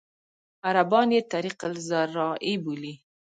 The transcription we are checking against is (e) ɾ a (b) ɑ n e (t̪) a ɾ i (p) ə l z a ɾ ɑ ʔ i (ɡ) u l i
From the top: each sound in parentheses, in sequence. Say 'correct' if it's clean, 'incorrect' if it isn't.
incorrect, correct, correct, incorrect, incorrect

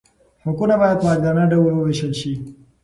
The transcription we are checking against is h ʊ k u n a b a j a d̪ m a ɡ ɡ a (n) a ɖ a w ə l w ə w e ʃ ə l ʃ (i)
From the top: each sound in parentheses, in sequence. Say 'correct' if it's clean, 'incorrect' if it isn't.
correct, correct

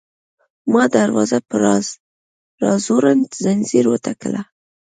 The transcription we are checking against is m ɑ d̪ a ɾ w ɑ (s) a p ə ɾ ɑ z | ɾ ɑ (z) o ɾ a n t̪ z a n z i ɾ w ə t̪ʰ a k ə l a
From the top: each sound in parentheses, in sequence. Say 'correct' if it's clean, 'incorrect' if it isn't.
incorrect, correct

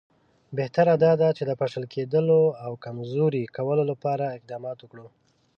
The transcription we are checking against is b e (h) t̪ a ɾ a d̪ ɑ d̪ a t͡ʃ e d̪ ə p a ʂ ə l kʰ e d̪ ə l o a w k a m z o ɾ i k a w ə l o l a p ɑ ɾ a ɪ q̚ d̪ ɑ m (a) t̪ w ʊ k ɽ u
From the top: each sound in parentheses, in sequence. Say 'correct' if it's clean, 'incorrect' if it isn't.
correct, incorrect

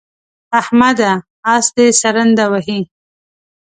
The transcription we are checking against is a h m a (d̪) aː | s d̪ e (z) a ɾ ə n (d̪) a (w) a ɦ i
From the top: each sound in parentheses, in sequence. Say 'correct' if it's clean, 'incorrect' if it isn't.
correct, incorrect, correct, correct

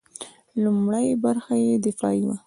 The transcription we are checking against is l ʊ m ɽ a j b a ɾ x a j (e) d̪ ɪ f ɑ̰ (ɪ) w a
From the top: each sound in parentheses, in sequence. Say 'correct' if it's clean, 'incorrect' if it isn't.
correct, incorrect

